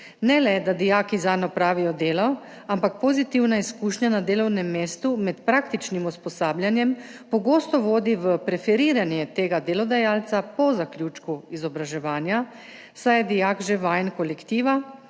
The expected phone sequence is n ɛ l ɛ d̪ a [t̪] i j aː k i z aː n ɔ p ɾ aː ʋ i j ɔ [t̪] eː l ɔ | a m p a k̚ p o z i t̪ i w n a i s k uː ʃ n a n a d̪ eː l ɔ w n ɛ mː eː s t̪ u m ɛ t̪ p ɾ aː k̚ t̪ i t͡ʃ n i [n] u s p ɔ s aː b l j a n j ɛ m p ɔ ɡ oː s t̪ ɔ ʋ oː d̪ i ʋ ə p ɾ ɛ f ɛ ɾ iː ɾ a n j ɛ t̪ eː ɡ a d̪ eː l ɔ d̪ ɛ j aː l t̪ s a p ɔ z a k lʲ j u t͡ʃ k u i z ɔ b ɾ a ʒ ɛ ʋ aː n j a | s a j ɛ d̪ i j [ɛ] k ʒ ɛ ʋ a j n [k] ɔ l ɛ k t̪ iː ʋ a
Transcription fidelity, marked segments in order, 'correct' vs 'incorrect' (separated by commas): incorrect, incorrect, incorrect, incorrect, correct